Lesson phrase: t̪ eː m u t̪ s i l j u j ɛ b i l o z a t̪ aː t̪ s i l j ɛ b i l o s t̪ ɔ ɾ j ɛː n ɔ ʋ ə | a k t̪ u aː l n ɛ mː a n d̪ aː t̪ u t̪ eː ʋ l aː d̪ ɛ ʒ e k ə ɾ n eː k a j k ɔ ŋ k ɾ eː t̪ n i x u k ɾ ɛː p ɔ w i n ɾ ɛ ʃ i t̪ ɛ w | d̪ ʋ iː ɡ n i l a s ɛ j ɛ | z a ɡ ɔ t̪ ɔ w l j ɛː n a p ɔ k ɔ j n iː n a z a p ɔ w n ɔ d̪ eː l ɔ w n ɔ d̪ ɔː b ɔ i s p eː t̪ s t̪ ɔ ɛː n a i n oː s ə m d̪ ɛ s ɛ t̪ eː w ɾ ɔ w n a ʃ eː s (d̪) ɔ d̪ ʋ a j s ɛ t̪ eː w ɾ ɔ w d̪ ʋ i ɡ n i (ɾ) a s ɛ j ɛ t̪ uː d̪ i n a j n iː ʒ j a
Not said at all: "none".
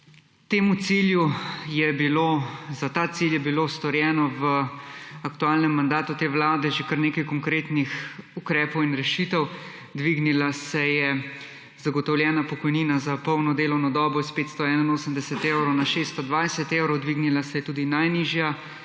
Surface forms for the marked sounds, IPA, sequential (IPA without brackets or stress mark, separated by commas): t̪, l